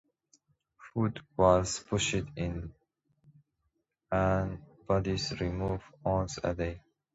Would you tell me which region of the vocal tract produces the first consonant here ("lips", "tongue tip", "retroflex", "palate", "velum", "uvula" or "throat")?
lips